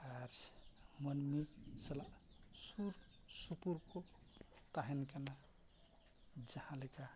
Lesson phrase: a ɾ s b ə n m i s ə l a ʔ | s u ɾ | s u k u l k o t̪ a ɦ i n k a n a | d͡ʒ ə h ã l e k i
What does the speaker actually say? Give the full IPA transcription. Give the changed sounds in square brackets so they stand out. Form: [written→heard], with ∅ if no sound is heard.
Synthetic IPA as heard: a ɾ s [b→m] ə n m i s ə l a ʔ | s u ɾ | s u [k→p] u [l→ɾ] k o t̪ a ɦ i n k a n a | d͡ʒ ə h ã l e k [i→a]